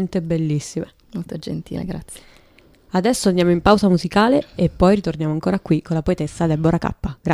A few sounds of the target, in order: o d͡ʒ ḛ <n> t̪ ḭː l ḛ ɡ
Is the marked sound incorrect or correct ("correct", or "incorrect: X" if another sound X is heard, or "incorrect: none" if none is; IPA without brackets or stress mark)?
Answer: correct